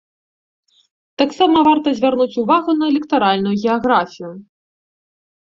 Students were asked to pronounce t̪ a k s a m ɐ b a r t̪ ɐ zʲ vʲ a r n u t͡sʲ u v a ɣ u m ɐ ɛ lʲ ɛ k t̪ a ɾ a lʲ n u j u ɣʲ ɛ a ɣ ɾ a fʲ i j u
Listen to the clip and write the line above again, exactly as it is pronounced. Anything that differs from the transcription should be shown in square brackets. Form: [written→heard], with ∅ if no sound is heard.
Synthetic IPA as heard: t̪ a k s a m ɐ [b→v] a r t̪ ɐ zʲ vʲ a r n u t͡sʲ u v a ɣ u [m→n] ɐ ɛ lʲ ɛ k t̪ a ɾ a lʲ n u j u ɣʲ ɛ a ɣ ɾ a fʲ i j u